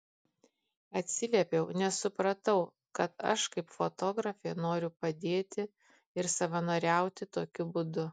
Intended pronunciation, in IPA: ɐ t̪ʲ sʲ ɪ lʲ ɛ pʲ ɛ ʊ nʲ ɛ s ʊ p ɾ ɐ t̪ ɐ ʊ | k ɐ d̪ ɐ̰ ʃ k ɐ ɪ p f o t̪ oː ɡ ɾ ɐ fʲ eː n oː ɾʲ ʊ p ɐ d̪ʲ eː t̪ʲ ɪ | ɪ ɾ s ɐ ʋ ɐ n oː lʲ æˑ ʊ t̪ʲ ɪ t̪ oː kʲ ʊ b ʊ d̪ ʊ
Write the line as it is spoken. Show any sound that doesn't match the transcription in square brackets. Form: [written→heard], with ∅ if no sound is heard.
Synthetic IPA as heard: ɐ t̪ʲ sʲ ɪ lʲ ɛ pʲ ɛ ʊ nʲ ɛ s ʊ p ɾ ɐ t̪ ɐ ʊ | k ɐ [d̪→t̪] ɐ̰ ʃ k ɐ ɪ p f o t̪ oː ɡ ɾ ɐ fʲ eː n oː ɾʲ ʊ p ɐ d̪ʲ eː t̪ʲ ɪ | ɪ ɾ s ɐ ʋ ɐ n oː [lʲ→ɾʲ] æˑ ʊ t̪ʲ ɪ t̪ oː kʲ ʊ b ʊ d̪ ʊ